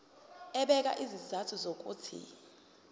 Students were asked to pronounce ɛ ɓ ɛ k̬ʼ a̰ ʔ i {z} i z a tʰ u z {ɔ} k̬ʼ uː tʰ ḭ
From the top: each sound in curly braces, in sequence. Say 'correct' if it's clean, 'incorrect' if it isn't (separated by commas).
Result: correct, incorrect